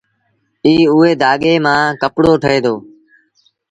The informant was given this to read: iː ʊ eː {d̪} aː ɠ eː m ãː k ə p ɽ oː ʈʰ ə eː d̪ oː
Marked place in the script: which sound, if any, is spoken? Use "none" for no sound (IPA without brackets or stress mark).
d̪